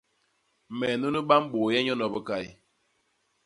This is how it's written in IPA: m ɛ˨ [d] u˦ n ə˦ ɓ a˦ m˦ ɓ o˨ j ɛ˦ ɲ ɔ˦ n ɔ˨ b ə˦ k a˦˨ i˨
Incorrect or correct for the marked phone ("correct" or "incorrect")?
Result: incorrect